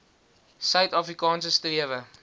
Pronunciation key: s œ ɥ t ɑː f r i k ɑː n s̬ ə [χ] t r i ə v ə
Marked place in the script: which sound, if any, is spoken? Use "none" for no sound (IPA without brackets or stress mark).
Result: s